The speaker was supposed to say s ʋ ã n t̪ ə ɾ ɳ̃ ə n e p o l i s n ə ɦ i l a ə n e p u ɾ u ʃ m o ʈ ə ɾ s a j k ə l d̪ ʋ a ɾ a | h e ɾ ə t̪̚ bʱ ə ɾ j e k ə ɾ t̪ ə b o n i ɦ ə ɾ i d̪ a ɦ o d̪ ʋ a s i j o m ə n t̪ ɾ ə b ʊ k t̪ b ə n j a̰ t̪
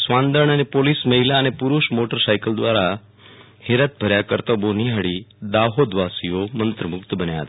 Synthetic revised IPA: s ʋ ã n d̪ ə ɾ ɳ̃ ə n e p o l i s m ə ɦ i l a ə n e p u ɾ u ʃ m o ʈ ə ɾ s a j k ə l d̪ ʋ a ɾ a | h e ɾ ə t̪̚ bʱ ə ɾ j a k ə ɾ t̪ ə b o n i ɦ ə ɽ i d̪ a ɦ o d̪ ʋ a s i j o m ə n t̪ ɾ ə m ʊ k t̪ b ə n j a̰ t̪